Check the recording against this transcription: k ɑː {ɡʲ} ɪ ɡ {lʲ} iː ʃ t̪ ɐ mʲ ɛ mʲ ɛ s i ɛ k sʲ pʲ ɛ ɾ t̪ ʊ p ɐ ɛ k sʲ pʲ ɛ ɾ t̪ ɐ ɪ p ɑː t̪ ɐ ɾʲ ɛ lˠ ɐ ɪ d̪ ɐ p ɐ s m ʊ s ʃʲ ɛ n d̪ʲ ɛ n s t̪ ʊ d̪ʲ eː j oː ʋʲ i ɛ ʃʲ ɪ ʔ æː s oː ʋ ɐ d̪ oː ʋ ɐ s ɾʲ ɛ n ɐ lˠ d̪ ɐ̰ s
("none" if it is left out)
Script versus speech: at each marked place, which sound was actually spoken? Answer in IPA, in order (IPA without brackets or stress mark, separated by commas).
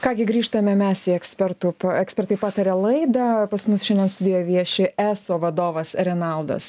ɡʲ, ɾʲ